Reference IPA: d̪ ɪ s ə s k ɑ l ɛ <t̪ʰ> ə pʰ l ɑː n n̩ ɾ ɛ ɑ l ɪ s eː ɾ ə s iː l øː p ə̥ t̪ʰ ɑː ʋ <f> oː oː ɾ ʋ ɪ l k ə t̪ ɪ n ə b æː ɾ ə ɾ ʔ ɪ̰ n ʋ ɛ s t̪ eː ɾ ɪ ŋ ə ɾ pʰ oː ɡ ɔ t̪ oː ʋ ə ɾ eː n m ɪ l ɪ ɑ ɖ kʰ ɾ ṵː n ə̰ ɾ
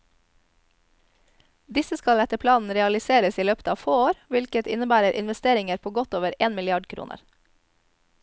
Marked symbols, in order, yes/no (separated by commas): no, yes